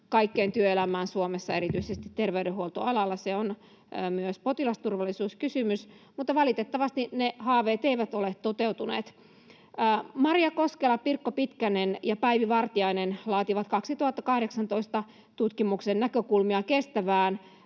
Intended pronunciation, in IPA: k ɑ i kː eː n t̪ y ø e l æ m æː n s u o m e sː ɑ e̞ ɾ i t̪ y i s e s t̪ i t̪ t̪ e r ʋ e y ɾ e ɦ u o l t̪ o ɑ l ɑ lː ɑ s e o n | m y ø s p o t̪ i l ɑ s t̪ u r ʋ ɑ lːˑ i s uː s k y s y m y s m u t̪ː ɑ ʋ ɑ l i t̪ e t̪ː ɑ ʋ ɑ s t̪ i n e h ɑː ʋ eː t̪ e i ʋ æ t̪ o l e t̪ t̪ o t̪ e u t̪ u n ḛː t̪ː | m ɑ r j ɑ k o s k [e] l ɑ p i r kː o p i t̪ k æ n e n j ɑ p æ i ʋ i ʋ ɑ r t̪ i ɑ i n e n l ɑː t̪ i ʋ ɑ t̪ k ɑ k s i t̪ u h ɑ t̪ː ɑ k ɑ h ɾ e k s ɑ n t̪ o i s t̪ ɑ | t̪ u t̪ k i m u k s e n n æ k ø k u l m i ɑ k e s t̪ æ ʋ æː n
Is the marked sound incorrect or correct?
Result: correct